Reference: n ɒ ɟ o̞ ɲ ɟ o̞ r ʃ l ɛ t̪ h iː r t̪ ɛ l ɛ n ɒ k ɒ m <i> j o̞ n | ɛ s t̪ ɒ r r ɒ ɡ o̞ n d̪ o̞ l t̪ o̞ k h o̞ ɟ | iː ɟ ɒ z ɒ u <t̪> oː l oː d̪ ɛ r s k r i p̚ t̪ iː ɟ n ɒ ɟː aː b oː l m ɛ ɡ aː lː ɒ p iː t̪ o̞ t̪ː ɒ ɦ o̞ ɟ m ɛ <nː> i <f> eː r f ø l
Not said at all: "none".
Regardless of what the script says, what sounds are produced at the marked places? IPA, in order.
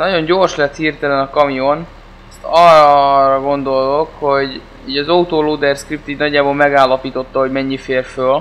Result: i, t̪, ɲː, f

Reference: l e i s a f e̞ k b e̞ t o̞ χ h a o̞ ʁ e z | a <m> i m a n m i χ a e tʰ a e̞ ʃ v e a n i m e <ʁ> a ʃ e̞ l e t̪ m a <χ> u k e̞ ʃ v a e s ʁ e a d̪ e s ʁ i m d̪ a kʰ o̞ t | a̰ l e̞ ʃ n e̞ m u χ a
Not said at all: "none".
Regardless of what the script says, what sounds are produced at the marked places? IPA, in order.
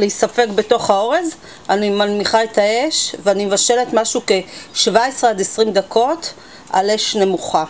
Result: n, v, ʃ

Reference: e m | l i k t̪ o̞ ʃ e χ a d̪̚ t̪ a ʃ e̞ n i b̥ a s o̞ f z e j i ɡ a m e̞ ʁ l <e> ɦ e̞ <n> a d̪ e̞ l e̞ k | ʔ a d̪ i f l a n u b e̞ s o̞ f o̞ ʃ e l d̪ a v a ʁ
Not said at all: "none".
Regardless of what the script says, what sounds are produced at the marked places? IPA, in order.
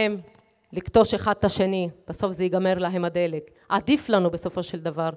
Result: a, m

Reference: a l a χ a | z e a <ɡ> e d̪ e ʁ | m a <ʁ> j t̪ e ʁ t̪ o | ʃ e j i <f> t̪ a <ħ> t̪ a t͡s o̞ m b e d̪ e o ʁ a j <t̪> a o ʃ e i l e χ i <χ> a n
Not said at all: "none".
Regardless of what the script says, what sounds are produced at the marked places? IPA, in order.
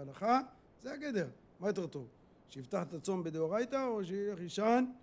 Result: ɡ, none, f, ħ, t̪, ʃ

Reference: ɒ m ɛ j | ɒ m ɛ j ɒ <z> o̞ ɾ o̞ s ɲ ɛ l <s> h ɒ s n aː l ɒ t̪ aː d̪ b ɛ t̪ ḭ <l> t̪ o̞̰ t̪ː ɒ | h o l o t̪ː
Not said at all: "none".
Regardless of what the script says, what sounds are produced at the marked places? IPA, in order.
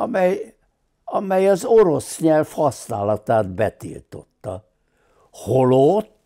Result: z, f, l

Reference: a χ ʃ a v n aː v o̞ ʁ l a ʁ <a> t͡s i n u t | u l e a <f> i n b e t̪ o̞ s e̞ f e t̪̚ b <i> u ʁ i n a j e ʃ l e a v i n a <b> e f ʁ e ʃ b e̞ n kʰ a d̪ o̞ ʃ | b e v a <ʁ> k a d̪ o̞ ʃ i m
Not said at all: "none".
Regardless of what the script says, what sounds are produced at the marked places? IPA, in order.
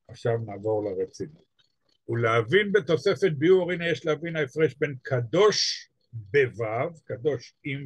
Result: e, v, i, none, v

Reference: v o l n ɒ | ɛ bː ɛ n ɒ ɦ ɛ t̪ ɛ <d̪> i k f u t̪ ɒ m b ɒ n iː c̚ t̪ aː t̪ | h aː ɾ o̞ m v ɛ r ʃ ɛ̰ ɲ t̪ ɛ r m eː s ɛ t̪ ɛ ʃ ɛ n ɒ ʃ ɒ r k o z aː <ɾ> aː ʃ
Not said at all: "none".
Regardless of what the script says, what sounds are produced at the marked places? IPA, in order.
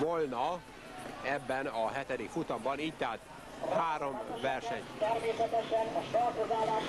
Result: d̪, l

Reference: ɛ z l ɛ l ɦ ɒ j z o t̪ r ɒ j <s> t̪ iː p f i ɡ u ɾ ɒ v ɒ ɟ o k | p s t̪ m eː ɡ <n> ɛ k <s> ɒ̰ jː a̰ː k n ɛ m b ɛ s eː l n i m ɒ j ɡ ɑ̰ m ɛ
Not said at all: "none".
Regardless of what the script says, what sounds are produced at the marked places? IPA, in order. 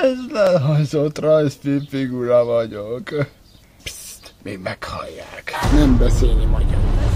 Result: s, m, h

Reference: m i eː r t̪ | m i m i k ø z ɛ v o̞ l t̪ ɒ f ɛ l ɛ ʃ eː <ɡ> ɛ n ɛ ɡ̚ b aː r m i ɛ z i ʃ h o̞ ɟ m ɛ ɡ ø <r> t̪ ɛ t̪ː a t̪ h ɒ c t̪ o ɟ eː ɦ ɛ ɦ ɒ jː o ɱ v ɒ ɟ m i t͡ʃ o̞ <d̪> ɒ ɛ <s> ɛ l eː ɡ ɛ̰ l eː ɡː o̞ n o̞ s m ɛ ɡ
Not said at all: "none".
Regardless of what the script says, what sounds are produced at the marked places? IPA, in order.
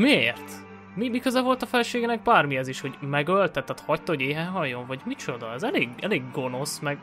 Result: ɡ, l, d̪, z

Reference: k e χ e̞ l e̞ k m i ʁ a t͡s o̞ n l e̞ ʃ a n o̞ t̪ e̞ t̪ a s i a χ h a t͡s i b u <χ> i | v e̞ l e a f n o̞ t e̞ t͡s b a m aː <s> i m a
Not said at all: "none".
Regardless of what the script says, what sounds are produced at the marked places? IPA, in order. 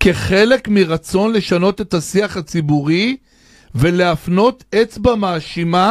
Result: ʁ, ʃ

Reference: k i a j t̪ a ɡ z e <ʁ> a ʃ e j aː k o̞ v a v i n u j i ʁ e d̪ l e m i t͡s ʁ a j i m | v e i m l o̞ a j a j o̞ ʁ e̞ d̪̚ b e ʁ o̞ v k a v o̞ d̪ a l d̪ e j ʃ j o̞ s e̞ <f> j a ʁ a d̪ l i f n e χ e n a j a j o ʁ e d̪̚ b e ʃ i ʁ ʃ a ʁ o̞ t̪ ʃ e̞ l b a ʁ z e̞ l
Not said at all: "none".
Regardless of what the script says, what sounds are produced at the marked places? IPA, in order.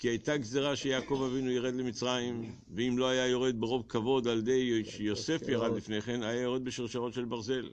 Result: ʁ, f

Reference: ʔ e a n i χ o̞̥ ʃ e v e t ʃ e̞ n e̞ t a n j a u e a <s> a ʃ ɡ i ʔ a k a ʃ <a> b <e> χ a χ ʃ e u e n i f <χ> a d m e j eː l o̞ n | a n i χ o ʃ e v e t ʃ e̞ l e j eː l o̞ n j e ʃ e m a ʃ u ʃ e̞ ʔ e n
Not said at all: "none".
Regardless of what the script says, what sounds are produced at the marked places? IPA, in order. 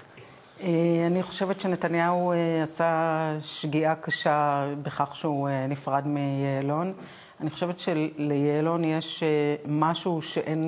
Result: s, a, e, ʁ

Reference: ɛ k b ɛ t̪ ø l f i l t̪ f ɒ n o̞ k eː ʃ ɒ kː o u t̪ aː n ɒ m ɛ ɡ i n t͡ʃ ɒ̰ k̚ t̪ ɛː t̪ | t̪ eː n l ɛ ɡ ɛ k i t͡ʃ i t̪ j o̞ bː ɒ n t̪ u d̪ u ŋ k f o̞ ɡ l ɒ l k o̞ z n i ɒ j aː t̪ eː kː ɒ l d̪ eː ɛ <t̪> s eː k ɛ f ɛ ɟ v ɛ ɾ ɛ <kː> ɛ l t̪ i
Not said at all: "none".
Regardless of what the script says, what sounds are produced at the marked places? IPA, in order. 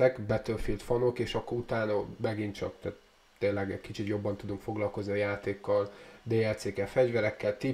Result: t̪, kː

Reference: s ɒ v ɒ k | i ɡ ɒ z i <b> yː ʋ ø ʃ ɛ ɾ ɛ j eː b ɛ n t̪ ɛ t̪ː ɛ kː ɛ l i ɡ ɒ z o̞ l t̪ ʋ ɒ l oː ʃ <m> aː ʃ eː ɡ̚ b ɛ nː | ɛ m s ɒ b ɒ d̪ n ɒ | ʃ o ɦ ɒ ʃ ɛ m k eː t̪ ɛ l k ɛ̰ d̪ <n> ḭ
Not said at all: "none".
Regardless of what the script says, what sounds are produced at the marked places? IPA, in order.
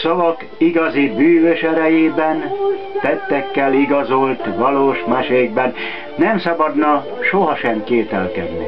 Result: b, m, n

